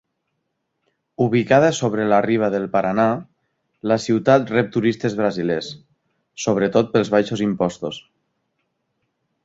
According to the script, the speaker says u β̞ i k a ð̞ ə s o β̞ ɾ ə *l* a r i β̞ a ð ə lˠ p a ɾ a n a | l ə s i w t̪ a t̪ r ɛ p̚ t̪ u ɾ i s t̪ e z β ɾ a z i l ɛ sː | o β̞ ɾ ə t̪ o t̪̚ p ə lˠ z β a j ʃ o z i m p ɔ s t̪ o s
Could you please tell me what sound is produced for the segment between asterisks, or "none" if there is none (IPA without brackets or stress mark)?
l